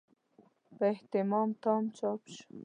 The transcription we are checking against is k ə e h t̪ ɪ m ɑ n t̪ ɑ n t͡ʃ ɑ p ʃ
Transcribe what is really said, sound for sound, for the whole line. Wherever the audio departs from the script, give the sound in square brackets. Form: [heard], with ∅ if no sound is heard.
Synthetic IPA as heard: [p] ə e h t̪ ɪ m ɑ [m] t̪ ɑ [m] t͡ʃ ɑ p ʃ